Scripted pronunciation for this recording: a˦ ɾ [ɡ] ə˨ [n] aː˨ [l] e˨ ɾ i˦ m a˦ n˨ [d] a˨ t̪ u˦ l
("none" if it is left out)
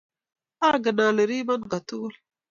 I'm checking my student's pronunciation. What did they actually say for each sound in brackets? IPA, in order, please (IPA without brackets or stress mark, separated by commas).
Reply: ɡ, n, l, ɡ